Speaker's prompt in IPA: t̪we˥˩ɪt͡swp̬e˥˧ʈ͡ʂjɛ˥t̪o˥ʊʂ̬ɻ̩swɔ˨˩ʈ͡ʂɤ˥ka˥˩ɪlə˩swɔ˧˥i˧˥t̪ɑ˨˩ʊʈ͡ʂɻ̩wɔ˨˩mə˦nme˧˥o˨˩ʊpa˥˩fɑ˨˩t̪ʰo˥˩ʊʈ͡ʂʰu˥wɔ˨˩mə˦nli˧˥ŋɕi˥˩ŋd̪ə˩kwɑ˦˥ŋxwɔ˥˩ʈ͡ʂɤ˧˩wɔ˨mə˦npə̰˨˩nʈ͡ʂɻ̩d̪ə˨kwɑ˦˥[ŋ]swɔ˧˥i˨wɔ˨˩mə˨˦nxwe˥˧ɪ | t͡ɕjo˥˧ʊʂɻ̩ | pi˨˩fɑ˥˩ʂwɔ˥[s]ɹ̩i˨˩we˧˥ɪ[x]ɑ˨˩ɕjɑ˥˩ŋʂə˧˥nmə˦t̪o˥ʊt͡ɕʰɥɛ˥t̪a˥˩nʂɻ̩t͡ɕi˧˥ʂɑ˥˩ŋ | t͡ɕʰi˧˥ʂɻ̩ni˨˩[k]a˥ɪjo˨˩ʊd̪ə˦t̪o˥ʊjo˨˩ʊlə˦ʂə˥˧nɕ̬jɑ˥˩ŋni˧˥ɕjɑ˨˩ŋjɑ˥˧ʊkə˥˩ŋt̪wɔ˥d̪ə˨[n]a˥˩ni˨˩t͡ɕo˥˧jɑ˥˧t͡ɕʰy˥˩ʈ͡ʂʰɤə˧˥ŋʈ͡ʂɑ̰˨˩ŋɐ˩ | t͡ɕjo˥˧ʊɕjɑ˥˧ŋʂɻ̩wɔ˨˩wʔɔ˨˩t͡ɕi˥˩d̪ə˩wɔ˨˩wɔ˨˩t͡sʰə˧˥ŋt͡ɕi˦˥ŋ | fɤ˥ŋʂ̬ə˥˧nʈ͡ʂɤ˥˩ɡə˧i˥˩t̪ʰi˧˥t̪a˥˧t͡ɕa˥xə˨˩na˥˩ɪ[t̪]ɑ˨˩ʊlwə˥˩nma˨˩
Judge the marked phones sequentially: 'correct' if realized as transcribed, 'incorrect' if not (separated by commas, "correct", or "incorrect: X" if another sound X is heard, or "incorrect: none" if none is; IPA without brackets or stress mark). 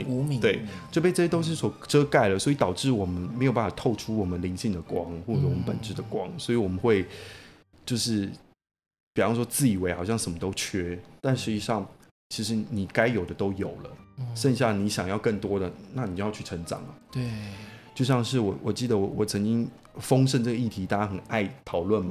correct, incorrect: t͡s, correct, correct, correct, incorrect: t̪ʰ